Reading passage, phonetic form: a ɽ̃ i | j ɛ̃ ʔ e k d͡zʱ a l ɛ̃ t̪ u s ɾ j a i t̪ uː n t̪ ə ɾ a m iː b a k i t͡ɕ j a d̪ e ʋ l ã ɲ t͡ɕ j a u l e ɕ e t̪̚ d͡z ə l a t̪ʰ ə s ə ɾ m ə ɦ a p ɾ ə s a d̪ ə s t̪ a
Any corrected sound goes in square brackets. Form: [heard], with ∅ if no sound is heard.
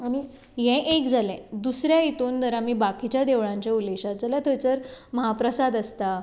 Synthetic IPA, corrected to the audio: a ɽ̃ i | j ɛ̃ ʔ e k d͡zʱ a l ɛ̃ [d̪] u s ɾ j a i t̪ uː n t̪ ə ɾ a m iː b a k i t͡ɕ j a d̪ e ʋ [ɭ] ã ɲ t͡ɕ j a u l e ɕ [a] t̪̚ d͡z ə l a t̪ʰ ə [t͡s] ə ɾ m ə ɦ a p ɾ ə s a d̪ ə s t̪ a